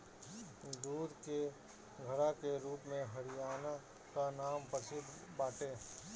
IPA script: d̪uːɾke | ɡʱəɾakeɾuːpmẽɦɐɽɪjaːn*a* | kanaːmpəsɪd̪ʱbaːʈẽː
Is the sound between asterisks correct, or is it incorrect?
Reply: correct